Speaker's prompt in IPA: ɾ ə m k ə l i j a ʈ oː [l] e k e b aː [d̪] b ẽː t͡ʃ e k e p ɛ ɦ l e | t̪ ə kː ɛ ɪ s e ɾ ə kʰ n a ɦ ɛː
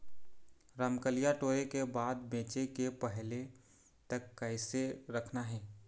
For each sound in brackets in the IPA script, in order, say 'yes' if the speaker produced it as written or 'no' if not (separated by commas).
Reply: no, yes